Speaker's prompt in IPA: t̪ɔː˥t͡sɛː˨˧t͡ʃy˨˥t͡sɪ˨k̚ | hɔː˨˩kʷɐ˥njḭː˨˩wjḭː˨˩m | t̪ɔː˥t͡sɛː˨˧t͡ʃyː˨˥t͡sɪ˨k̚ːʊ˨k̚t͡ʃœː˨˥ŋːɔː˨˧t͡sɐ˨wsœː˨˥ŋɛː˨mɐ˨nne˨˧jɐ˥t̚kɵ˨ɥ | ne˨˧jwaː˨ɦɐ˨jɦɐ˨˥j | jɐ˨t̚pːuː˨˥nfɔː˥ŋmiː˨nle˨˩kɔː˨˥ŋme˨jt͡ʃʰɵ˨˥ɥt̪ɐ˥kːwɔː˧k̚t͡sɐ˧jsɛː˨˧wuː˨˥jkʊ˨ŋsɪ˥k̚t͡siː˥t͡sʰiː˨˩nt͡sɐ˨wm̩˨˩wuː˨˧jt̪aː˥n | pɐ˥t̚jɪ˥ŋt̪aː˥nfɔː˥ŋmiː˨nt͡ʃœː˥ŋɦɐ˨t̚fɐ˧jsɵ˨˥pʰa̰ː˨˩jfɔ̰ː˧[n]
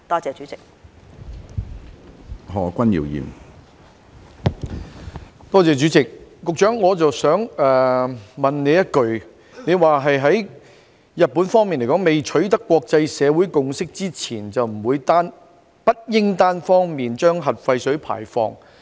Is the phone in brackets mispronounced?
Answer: yes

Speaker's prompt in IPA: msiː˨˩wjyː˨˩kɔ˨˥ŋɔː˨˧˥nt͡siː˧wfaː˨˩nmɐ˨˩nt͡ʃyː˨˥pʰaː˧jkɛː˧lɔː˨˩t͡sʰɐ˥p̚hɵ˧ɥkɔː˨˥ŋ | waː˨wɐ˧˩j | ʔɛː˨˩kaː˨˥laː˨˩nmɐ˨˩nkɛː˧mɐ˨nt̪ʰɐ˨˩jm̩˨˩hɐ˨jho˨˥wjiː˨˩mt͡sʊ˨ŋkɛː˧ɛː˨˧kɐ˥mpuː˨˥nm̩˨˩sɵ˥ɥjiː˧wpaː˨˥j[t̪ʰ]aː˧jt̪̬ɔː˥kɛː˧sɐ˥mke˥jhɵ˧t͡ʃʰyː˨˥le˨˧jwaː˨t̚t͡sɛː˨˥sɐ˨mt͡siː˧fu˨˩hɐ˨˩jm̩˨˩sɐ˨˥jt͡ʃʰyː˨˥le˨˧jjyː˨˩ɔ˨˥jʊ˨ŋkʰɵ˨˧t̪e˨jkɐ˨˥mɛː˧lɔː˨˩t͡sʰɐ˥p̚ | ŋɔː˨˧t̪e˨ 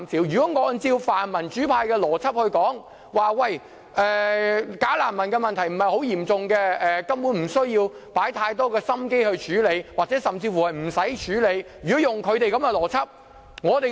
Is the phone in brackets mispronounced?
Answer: no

